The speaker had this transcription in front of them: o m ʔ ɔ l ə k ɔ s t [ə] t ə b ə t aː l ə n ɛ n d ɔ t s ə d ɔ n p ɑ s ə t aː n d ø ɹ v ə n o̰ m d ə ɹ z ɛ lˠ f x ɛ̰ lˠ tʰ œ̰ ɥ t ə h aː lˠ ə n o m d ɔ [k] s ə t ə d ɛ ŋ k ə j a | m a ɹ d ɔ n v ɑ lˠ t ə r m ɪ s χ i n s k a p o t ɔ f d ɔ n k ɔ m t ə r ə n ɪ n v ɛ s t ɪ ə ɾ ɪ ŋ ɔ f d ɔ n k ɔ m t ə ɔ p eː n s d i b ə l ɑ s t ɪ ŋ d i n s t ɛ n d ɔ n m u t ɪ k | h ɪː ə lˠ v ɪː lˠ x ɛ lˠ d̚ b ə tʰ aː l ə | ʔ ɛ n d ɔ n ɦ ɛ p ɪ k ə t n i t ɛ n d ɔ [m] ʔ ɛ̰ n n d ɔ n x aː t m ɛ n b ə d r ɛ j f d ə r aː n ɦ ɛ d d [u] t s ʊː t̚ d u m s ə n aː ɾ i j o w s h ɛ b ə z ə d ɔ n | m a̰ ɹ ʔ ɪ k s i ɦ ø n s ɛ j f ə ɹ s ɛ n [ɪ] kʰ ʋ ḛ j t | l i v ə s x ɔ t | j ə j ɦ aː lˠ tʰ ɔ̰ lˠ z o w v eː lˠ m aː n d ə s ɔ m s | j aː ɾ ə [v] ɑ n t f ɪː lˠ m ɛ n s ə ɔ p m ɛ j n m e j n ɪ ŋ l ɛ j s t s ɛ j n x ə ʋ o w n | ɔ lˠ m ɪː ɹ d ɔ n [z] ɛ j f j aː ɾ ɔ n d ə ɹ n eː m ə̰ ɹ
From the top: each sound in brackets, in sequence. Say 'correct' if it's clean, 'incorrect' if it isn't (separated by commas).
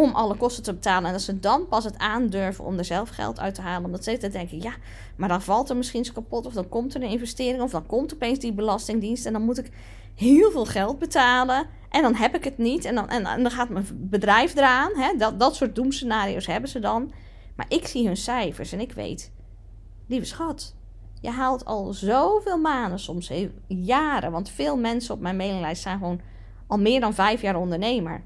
correct, incorrect, incorrect, incorrect, correct, incorrect, incorrect